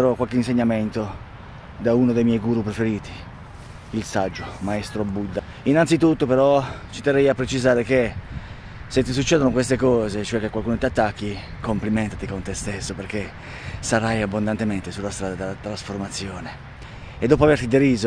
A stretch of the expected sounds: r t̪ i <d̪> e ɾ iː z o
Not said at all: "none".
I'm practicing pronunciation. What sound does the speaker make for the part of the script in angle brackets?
d̪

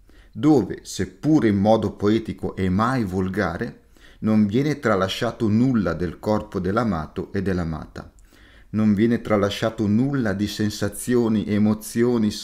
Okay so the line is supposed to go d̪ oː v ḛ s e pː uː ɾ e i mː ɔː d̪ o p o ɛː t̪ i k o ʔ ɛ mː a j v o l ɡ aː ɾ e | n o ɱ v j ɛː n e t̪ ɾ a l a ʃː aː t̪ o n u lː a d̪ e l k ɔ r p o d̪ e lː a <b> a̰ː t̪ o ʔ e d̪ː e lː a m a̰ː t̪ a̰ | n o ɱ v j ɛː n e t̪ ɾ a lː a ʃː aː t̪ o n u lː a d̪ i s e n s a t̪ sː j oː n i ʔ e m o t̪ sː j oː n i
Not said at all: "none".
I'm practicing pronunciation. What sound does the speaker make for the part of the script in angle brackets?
m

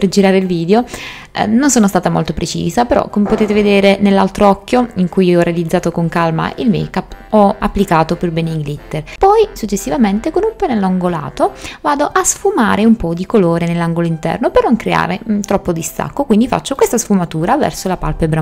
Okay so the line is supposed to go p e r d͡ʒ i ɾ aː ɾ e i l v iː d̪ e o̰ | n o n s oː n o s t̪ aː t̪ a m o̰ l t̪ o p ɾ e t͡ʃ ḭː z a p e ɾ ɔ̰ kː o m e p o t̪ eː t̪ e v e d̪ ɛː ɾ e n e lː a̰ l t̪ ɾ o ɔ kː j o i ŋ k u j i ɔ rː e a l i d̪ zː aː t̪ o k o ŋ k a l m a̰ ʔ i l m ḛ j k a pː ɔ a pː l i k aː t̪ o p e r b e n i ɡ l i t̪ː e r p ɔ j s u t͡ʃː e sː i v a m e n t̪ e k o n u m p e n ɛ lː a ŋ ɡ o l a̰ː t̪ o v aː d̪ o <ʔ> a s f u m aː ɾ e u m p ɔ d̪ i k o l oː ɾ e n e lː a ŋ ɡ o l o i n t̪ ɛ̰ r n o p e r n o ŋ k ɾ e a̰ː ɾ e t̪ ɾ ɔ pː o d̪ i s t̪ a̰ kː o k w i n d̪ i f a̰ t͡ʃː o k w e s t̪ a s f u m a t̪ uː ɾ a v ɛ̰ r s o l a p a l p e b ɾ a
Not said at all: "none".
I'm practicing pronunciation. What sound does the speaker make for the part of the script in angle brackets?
ʔ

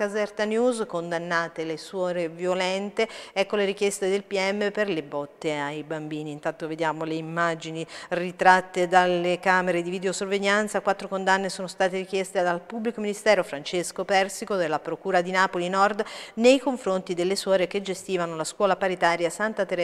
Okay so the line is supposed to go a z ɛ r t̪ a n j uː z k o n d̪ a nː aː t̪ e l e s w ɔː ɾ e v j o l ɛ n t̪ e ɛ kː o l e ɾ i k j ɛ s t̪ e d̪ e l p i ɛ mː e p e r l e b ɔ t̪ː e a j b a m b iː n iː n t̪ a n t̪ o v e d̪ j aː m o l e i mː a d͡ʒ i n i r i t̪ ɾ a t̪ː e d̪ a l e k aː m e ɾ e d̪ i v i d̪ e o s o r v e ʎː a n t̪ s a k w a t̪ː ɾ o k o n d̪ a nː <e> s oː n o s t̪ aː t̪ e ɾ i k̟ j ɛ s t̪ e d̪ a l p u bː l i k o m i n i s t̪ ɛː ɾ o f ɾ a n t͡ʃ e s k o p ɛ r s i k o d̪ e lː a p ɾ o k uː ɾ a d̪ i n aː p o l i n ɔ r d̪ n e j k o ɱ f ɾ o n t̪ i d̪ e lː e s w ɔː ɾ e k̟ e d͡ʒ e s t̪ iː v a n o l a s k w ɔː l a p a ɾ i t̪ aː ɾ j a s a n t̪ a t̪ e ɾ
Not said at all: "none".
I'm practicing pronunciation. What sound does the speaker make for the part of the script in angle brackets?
e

